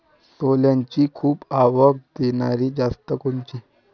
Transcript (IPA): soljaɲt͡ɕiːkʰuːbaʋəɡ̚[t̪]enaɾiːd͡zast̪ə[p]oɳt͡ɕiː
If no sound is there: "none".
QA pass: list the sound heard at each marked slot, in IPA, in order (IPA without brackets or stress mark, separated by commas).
d̪, k